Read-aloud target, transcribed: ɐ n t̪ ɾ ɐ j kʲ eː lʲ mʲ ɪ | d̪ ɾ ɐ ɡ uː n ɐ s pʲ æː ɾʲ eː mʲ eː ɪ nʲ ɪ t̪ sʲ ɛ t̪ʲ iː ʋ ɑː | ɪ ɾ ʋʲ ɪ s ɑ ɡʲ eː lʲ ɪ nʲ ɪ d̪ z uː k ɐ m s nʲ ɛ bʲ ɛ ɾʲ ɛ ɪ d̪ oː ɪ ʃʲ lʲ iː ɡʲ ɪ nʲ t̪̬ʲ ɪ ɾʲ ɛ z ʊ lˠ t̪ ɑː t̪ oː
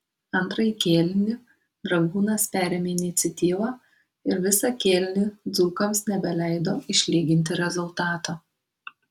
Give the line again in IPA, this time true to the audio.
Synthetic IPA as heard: ɐ n t̪ ɾ ɐ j kʲ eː lʲ nʲ ɪ | d̪ ɾ ɐ ɡ uː n ɐ s pʲ æː ɾʲ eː mʲ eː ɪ nʲ ɪ t̪ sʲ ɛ t̪ʲ iː ʋ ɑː | ɪ ɾ ʋʲ ɪ s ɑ kʲ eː lʲ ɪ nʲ ɪ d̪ z uː k ɐ m s nʲ ɛ bʲ ɛ lʲ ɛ ɪ d̪ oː ɪ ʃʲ lʲ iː ɡʲ ɪ nʲ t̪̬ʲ ɪ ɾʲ ɛ z ʊ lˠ t̪ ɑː t̪ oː

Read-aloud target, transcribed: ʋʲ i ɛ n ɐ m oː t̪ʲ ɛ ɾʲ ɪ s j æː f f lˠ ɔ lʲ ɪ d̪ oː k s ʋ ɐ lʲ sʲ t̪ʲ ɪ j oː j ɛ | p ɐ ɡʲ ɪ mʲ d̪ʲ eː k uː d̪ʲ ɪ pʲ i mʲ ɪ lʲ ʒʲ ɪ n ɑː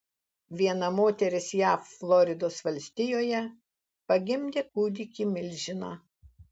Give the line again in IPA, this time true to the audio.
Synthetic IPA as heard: ʋʲ i ɛ n ɐ m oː t̪ʲ ɛ ɾʲ ɪ s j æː f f lˠ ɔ ɾʲ ɪ d̪ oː s ʋ ɐ lʲ sʲ t̪ʲ ɪ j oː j ɛ | p ɐ ɡʲ ɪ mʲ d̪ʲ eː k uː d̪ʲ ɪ kʲ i mʲ ɪ lʲ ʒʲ ɪ n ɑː

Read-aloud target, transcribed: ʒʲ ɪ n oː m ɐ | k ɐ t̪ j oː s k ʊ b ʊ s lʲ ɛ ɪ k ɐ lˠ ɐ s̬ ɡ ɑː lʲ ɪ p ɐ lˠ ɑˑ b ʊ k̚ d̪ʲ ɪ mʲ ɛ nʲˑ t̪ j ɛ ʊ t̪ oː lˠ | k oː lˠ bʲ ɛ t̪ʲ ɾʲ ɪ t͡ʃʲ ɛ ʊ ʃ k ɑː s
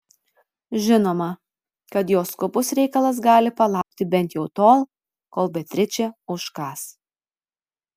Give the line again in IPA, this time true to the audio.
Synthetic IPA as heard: ʒʲ ɪ n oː m ɐ | k ɐ t̪ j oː s k ʊ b ʊ s ɾʲ ɛ ɪ k ɐ lˠ ɐ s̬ ɡ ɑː lʲ ɪ p ɐ lˠ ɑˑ ʊ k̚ t̪ʲ ɪ bʲ ɛ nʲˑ t̪ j ɛ ʊ t̪ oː lˠ | k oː lˠ bʲ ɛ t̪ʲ ɾʲ ɪ t͡ʃʲ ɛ ʊ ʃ k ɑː s

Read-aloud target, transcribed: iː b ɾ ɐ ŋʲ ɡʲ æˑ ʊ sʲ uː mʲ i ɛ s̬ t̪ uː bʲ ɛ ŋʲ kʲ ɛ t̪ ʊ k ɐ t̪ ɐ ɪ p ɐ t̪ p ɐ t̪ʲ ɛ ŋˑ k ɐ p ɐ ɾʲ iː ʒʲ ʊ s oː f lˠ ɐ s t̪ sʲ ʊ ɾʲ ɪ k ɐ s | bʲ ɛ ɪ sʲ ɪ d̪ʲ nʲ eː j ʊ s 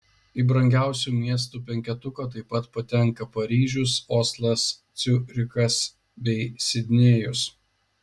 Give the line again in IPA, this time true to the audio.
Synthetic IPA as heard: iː b ɾ ɐ ŋʲ ɡʲ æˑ ʊ sʲ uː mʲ i ɛ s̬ t̪ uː pʲ ɛ ŋʲ kʲ ɛ t̪ ʊ k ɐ t̪ ɐ ɪ p ɐ t̪ p ɐ t̪ʲ ɛ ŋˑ k ɐ p ɐ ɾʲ iː ʒʲ ʊ s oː s lˠ ɐ s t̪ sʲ ʊ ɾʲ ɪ k ɐ s | bʲ ɛ ɪ sʲ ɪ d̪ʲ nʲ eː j ʊ s

